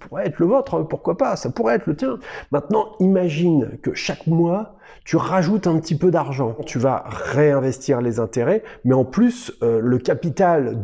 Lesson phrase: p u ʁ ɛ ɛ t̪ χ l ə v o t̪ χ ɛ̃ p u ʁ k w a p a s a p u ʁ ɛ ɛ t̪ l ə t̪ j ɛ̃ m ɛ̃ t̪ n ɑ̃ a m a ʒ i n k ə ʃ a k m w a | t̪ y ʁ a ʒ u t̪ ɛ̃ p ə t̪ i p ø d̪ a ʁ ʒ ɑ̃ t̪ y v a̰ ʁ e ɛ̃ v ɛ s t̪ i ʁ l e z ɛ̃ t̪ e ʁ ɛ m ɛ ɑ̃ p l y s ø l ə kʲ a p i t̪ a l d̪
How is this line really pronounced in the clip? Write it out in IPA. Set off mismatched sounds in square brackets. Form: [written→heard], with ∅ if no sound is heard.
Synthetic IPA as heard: p u ʁ ɛ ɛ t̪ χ l ə v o t̪ χ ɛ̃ p u ʁ k w a p a s a p u ʁ ɛ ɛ t̪ l ə t̪ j ɛ̃ m ɛ̃ t̪ n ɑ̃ [a→i] m a ʒ i n k ə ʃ a k m w a | t̪ y ʁ a ʒ u t̪ ɛ̃ p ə t̪ i p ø d̪ a ʁ ʒ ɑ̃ t̪ y v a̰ ʁ e ɛ̃ v ɛ s t̪ i ʁ l e z ɛ̃ t̪ e ʁ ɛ m ɛ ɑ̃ p l y s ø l ə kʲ a p i t̪ a l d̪